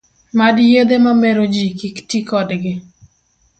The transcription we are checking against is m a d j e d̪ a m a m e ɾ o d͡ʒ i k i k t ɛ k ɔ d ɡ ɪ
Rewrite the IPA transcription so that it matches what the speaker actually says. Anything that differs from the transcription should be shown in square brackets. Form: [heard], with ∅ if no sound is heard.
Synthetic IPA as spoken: m a d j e d̪ [e] m a m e ɾ o d͡ʒ i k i k t [i] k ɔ d ɡ ɪ

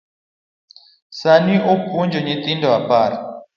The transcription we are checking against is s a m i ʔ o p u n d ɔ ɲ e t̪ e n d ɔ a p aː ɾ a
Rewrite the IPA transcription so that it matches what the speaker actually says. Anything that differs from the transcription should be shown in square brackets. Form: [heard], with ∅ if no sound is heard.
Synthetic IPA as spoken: s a [n] i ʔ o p u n [d͡ʒ] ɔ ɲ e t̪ [i] n d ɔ a p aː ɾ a

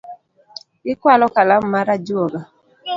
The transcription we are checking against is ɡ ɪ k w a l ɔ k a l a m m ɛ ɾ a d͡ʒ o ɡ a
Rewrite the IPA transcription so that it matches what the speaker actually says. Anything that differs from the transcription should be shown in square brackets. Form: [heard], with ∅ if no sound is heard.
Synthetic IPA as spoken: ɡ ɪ k w a l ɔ k a l a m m [a] ɾ a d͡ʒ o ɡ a

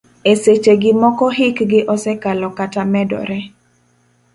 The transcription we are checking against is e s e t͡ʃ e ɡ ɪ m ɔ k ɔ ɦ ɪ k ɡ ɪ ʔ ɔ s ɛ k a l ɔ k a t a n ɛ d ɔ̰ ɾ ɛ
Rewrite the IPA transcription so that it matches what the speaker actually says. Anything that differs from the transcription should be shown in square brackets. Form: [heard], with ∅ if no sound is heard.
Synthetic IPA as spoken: e s e t͡ʃ e ɡ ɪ m ɔ k ɔ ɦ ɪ k ɡ ɪ ʔ ɔ s ɛ k a l ɔ k a t a [m] ɛ d ɔ̰ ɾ ɛ

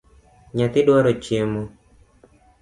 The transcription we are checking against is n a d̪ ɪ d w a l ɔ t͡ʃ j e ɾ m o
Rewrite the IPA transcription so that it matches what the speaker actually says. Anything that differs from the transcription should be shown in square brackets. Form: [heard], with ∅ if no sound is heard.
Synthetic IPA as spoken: [ɲ] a [t̪] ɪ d w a [ɾ] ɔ t͡ʃ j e [∅] m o

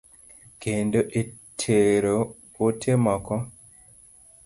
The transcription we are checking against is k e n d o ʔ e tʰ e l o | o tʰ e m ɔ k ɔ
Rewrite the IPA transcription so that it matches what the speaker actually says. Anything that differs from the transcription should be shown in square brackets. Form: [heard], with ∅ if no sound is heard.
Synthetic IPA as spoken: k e n d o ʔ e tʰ e [ɾ] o | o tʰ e m ɔ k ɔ

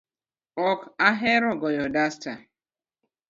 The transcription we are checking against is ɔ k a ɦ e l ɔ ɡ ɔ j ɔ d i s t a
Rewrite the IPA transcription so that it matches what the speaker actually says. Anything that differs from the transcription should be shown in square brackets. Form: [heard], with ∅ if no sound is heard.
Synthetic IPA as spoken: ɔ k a ɦ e [ɾ] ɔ ɡ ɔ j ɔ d [a] s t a

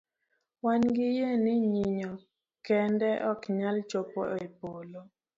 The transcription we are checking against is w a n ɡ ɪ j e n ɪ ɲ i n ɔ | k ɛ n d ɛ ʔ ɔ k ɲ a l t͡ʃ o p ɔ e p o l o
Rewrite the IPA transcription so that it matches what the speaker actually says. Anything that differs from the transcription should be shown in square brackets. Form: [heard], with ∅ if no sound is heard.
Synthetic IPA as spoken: w a n ɡ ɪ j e n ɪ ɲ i [ɲ] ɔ | k ɛ n d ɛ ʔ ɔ k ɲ a l t͡ʃ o p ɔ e p o l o

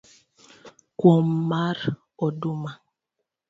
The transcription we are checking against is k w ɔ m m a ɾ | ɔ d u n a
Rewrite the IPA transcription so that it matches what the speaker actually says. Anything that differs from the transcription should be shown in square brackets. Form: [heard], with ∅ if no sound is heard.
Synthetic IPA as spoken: k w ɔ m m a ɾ | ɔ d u [m] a

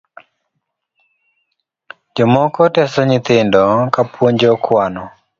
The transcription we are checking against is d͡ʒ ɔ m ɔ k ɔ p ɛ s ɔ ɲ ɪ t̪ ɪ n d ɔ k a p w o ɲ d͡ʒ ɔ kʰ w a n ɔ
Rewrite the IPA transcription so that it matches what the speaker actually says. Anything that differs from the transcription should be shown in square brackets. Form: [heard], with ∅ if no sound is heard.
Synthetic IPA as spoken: d͡ʒ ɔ m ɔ k ɔ [t] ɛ s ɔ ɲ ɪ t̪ ɪ n d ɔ k a p w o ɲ d͡ʒ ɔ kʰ w a n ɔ

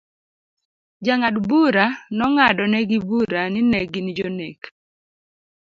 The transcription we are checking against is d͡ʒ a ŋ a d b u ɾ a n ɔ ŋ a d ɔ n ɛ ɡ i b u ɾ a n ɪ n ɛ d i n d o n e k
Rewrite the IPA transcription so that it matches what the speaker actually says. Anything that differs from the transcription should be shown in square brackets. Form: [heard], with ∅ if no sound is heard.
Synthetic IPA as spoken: d͡ʒ a ŋ a d b u ɾ a n ɔ ŋ a d ɔ n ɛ ɡ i b u ɾ a n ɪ n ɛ [ɡ] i n [d͡ʒ] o n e k

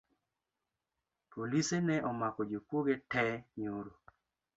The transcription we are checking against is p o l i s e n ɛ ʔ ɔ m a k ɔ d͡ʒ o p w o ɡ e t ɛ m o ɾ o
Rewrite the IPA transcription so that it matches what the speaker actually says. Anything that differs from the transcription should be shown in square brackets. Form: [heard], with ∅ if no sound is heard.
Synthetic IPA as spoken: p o l i s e n ɛ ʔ ɔ m a k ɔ d͡ʒ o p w o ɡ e t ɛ [ɲ] o ɾ o

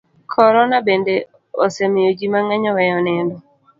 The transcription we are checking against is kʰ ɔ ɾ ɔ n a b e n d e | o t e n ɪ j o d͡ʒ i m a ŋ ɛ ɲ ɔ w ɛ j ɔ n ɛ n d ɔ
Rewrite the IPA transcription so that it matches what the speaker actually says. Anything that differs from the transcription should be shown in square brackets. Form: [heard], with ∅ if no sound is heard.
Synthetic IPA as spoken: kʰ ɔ ɾ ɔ n a b e n d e | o [s] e [m] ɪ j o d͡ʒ i m a ŋ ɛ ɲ ɔ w ɛ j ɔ n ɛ n d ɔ

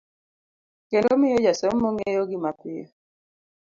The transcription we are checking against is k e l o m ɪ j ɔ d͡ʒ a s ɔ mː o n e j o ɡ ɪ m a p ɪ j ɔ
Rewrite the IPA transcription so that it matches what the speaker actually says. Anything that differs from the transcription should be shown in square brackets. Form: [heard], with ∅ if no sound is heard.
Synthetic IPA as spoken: k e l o m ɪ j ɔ d͡ʒ a s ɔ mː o [ŋ] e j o ɡ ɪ m a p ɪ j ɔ

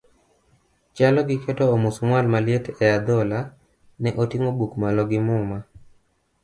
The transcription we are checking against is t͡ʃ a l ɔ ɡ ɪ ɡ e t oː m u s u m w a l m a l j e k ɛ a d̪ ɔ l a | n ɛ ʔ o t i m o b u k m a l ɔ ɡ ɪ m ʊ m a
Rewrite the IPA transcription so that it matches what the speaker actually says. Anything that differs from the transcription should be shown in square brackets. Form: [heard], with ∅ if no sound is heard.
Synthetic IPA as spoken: t͡ʃ a l ɔ ɡ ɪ [k] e t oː m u s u m w a l m a l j e [t] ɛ a d̪ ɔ l a | n ɛ ʔ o t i [ŋ] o b u k m a l ɔ ɡ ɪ m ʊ m a

